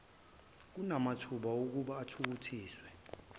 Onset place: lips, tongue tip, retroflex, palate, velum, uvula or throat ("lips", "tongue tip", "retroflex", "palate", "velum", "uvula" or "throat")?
velum